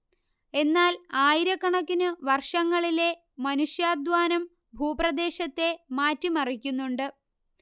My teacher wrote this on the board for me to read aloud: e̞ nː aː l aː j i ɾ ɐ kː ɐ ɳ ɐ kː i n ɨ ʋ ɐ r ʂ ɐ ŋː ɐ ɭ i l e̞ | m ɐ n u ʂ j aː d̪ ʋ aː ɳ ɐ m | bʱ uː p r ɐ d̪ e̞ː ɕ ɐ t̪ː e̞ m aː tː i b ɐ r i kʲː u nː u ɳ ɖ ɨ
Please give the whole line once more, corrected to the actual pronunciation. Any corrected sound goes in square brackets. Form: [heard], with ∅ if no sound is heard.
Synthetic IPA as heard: e̞ nː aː l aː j i ɾ ɐ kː ɐ ɳ ɐ kː i n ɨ ʋ ɐ r ʂ ɐ ŋː ɐ ɭ i l e̞ | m ɐ n u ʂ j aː d̪ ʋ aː [n] ɐ m | bʱ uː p r ɐ d̪ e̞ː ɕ ɐ t̪ː e̞ m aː tː i [m] ɐ r i kʲː u nː u ɳ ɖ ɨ

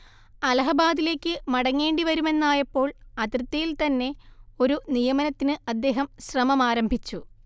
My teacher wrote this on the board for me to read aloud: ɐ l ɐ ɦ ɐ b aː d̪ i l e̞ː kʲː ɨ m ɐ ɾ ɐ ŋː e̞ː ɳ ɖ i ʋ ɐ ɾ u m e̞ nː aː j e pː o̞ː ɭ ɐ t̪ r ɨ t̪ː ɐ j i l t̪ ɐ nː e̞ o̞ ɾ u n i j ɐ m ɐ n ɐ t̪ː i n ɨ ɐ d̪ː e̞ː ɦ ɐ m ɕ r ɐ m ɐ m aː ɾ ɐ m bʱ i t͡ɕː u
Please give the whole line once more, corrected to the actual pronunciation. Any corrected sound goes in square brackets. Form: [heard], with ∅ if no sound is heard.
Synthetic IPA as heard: ɐ l ɐ ɦ ɐ b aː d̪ i l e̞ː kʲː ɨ m ɐ [ɽ] ɐ ŋː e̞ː ɳ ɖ i ʋ ɐ ɾ u m e̞ nː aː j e pː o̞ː ɭ ɐ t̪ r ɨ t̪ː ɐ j i l t̪ ɐ nː e̞ o̞ ɾ u n i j ɐ m ɐ n ɐ t̪ː i n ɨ ɐ d̪ː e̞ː ɦ ɐ m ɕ r ɐ m ɐ m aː ɾ ɐ m bʱ i t͡ɕː u

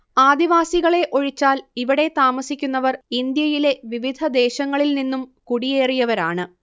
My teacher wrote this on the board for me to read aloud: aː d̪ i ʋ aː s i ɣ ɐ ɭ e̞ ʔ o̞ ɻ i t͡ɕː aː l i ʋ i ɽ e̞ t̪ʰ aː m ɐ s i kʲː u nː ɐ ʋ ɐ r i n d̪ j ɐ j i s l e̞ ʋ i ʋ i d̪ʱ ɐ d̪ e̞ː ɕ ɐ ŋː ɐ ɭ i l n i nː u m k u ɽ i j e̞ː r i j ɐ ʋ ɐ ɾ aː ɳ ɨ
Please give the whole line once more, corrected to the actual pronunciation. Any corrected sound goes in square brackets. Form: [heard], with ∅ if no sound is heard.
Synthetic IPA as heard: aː d̪ i ʋ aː s i ɣ ɐ ɭ e̞ ʔ o̞ ɻ i t͡ɕː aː l i ʋ i ɽ e̞ [t̪] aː m ɐ s i kʲː u nː ɐ ʋ ɐ r i n d̪ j ɐ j i [∅] l e̞ ʋ i ʋ i d̪ʱ ɐ d̪ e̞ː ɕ ɐ ŋː ɐ ɭ i l n i nː u m k u ɽ i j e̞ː r i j ɐ ʋ ɐ ɾ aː ɳ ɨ

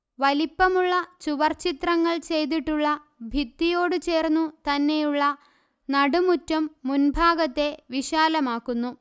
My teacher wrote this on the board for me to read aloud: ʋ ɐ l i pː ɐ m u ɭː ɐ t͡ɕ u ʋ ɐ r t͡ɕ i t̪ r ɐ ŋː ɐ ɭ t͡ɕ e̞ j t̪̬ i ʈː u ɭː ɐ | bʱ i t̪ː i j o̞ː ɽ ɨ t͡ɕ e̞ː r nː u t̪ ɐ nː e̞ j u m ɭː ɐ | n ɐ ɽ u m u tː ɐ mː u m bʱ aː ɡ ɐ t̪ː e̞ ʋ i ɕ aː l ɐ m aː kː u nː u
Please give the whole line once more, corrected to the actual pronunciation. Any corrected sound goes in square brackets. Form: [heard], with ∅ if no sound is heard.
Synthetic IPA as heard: ʋ ɐ l i pː ɐ m u ɭː ɐ t͡ɕ u ʋ ɐ r t͡ɕ i t̪ r ɐ ŋː ɐ ɭ t͡ɕ e̞ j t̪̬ i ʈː u ɭː ɐ | bʱ i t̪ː i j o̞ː ɽ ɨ t͡ɕ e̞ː r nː u t̪ ɐ nː e̞ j u [∅] ɭː ɐ | n ɐ ɽ u m u tː ɐ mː u [n] bʱ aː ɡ ɐ t̪ː e̞ ʋ i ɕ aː l ɐ m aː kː u nː u

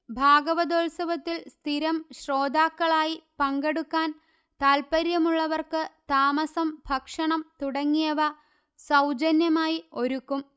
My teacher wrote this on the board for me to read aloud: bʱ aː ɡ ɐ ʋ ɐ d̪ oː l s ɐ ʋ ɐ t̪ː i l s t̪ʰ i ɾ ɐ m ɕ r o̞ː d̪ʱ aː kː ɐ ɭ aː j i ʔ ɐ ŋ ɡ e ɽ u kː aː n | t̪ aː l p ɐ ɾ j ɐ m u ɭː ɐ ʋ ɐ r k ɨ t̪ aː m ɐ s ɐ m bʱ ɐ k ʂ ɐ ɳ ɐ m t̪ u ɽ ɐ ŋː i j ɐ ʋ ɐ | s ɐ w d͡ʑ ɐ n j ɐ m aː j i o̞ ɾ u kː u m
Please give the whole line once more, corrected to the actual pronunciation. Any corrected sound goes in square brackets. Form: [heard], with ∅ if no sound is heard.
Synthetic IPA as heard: bʱ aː ɡ ɐ ʋ ɐ d̪ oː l s ɐ ʋ ɐ t̪ː i l s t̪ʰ i ɾ ɐ m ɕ r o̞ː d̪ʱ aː kː ɐ ɭ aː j i [p] ɐ ŋ ɡ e ɽ u kː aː n | t̪ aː l p ɐ ɾ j ɐ m u ɭː ɐ ʋ ɐ r k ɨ t̪ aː m ɐ s ɐ m bʱ ɐ k ʂ ɐ ɳ ɐ m t̪ u ɽ ɐ ŋː i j ɐ ʋ ɐ | s ɐ w d͡ʑ ɐ n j ɐ m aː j i o̞ ɾ u kː u m

